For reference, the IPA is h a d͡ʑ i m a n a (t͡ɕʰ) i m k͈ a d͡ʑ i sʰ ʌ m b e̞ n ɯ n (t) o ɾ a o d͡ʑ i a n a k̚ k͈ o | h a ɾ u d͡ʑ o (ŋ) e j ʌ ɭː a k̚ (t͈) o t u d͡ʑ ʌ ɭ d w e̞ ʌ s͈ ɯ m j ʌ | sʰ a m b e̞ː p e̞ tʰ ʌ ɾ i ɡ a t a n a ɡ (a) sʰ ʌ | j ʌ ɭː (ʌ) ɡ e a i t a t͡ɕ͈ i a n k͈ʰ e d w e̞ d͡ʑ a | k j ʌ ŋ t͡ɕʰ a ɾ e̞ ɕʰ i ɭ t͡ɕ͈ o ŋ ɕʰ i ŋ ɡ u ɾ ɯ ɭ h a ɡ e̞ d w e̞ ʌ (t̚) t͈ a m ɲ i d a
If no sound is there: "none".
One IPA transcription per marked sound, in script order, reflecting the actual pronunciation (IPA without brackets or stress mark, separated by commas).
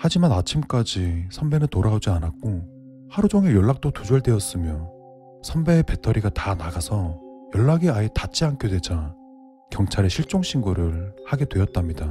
t͡ɕʰ, t, ŋ, t͈, a, a, t̚